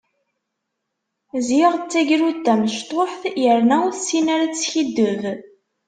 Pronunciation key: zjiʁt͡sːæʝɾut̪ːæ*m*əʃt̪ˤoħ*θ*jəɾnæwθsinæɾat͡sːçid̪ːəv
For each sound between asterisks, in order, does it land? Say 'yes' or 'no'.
yes, yes

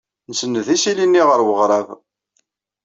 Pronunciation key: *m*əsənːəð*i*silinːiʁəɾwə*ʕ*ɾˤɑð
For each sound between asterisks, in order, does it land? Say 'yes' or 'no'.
no, yes, no

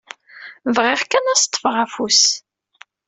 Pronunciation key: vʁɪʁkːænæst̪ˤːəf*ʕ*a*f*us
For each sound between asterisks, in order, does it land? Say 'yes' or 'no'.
no, yes

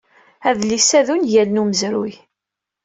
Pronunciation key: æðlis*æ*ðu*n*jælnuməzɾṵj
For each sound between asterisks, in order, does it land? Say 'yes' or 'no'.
yes, yes

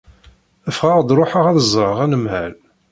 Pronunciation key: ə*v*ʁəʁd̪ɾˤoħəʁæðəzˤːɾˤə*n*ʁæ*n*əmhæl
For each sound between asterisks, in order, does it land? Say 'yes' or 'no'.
no, no, yes

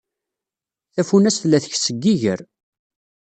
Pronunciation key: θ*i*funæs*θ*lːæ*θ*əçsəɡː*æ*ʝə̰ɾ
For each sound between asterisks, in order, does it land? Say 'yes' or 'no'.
no, yes, yes, no

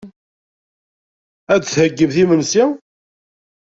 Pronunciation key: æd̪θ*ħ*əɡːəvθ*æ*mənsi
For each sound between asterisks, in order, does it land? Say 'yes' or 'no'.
no, no

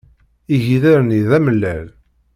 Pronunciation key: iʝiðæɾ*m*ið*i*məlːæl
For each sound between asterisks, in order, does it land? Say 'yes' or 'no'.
no, no

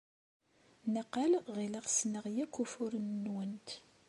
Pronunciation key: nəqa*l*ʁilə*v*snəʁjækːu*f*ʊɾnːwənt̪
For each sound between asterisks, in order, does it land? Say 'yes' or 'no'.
yes, no, yes

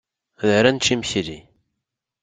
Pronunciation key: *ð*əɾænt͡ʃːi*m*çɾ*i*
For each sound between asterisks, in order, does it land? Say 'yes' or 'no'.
yes, yes, yes

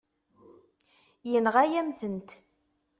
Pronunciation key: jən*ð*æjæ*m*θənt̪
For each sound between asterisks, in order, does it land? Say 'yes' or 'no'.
no, yes

